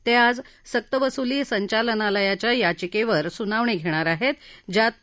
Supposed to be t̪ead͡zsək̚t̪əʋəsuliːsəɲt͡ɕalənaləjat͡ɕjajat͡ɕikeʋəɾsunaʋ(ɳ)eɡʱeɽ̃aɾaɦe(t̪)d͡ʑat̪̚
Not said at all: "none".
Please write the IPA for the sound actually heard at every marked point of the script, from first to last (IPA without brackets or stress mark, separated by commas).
ɳ, t̪